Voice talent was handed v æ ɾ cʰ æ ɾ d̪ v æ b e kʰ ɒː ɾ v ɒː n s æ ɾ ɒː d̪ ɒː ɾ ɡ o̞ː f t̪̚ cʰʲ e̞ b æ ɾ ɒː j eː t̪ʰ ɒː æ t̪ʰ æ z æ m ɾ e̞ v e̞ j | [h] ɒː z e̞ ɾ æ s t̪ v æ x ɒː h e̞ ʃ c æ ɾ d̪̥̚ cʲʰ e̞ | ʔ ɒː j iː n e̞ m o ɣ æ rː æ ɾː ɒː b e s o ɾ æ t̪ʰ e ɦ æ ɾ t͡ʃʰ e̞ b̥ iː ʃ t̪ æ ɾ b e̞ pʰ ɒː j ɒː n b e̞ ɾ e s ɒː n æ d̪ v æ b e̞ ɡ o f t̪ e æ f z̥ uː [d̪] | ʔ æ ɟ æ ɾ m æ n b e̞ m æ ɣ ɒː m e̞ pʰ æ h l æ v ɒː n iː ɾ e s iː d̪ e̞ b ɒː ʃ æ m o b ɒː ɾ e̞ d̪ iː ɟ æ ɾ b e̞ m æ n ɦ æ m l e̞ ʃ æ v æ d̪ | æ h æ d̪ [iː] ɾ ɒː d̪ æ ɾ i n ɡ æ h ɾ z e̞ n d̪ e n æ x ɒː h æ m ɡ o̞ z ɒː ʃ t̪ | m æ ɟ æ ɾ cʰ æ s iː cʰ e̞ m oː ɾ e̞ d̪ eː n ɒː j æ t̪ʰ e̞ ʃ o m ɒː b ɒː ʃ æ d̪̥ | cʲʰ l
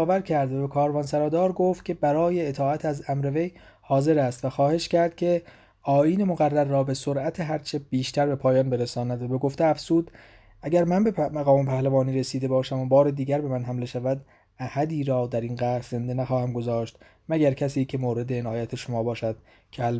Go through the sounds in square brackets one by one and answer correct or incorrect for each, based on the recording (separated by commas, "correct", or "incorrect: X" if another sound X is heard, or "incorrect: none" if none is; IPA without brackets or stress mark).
correct, correct, correct